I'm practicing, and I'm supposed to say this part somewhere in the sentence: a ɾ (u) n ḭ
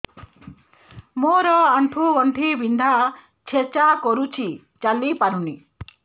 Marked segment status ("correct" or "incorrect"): correct